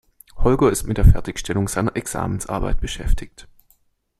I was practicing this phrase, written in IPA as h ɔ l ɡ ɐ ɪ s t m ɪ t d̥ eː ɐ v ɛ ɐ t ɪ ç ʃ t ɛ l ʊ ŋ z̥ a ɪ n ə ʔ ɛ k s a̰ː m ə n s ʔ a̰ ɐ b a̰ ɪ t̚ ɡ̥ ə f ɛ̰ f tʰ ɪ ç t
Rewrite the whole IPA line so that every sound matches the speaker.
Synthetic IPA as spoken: h ɔ l ɡ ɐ ɪ s t m ɪ t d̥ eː ɐ f ɛ ɐ t ɪ ç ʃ t ɛ l ʊ ŋ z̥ a ɪ n ɐ ʔ ɛ k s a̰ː m ə n s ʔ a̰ ɐ b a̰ ɪ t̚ b̥ ə ʃ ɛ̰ f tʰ ɪ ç t